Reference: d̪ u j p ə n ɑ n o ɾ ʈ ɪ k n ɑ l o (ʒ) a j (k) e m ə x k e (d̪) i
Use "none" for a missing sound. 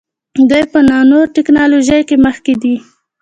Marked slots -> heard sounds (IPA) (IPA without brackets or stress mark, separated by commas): ʒ, k, d̪